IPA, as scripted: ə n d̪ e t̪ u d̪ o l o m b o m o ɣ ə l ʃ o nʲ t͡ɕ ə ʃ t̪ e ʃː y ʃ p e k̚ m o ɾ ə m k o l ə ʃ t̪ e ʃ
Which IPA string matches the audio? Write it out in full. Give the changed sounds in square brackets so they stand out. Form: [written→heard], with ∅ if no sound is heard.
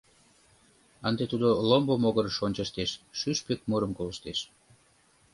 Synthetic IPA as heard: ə n d̪ e t̪ u d̪ o l o m b o m o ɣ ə [l→ɾ] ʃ o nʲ t͡ɕ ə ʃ t̪ e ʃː y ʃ p e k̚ m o ɾ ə m k o l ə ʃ t̪ e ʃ